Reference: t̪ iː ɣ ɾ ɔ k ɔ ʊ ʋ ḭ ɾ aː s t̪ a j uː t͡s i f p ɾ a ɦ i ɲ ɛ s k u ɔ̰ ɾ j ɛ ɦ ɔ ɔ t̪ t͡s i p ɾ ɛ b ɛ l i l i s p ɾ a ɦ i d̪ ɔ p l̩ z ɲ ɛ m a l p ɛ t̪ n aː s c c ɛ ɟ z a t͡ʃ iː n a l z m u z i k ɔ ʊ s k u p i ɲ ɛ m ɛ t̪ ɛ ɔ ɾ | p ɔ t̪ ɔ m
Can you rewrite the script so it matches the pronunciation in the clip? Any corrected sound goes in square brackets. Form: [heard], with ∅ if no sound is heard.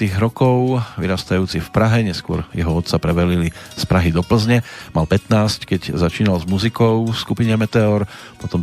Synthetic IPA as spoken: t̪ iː ɣ ɾ ɔ k ɔ ʊ ʋ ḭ ɾ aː s t̪ a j uː t͡s i f p ɾ a ɦ [ɛ] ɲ ɛ s k [ʊ] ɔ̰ ɾ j ɛ ɦ ɔ ɔ t̪ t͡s [a] p ɾ ɛ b ɛ l i l i s p ɾ a ɦ i d̪ ɔ p l̩ z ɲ ɛ m a l p ɛ t̪ n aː s c [k] ɛ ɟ z a t͡ʃ iː n a l z m u z i k ɔ ʊ s k u p i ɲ ɛ m ɛ t̪ ɛ ɔ ɾ | p ɔ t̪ ɔ m